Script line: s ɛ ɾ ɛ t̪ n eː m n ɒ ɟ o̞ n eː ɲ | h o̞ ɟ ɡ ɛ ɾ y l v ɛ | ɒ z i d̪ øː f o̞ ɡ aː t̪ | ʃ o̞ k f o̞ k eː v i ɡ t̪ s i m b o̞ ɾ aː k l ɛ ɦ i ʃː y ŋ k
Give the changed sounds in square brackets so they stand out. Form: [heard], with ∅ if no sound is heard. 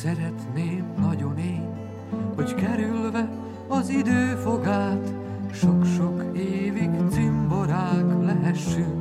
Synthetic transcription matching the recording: s ɛ ɾ ɛ t̪ n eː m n ɒ ɟ o̞ n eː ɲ | h o̞ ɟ [k] ɛ ɾ y l v ɛ | ɒ z i d̪ øː f o̞ ɡ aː t̪ | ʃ o̞ k [ʃ] o̞ k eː v i ɡ t̪ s i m b o̞ ɾ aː k l ɛ ɦ [ɛ] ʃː y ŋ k